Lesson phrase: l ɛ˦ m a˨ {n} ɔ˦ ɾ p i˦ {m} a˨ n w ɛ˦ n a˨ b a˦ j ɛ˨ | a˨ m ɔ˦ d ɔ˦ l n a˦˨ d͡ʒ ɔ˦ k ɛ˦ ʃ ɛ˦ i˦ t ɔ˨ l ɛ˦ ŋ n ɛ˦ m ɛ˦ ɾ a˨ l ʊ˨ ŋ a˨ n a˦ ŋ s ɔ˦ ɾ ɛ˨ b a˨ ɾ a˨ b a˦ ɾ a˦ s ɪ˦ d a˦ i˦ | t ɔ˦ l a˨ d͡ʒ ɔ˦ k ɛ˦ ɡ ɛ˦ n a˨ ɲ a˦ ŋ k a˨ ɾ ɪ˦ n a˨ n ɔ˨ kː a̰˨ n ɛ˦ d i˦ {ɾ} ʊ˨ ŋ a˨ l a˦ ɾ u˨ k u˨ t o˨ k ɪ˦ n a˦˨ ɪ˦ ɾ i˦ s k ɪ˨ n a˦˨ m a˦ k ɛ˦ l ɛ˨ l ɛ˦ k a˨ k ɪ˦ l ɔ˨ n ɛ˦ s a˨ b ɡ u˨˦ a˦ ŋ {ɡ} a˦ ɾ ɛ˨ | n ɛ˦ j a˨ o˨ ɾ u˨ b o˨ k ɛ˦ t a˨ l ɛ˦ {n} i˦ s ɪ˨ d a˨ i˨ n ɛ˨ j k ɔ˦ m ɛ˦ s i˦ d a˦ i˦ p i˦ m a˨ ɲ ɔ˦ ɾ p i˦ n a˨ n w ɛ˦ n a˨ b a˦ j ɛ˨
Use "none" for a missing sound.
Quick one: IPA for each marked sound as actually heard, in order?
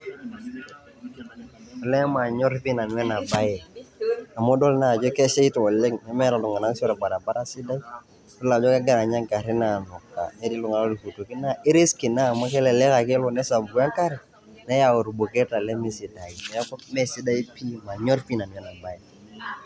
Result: ɲ, n, l, k, m

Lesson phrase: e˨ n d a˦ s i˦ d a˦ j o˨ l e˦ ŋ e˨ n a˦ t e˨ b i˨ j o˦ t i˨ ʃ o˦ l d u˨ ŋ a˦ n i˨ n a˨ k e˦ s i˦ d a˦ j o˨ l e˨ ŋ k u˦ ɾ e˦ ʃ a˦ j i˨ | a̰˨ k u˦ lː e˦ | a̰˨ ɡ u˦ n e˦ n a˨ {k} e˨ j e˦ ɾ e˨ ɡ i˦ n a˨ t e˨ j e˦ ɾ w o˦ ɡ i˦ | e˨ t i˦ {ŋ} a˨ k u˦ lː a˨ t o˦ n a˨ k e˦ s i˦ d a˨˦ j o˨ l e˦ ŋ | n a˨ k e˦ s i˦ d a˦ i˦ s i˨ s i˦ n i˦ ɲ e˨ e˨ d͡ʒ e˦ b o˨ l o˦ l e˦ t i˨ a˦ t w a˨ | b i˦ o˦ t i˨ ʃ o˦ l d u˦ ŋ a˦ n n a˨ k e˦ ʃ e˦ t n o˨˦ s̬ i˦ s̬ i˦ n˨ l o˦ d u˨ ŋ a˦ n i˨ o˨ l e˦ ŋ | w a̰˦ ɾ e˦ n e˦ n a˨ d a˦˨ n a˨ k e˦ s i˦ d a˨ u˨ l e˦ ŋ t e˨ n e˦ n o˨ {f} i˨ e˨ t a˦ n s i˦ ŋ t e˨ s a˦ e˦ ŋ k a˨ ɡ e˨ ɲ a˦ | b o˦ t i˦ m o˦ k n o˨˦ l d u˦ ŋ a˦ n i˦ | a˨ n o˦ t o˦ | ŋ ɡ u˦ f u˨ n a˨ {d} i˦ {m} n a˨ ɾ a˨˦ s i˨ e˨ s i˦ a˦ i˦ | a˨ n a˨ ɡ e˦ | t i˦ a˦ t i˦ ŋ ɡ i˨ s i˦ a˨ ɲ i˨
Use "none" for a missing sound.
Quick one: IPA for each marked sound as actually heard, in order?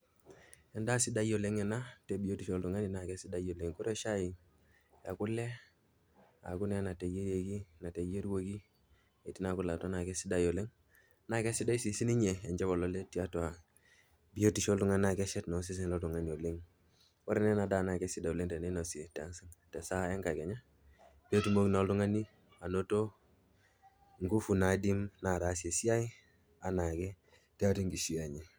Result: t, n, s, d, m

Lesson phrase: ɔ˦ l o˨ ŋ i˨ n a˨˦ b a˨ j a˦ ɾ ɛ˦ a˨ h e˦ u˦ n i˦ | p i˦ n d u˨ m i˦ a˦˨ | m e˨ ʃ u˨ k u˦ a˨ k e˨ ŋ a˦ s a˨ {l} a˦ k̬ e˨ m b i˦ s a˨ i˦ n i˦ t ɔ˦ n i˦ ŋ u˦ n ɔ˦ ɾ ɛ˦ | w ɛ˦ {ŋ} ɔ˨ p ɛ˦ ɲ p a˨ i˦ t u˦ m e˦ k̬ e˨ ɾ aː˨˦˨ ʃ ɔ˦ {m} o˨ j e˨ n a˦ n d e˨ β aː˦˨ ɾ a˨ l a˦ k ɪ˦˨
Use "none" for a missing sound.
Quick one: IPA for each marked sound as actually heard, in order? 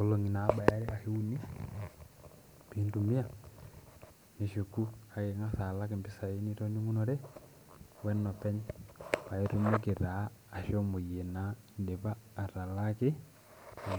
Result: l, n, m

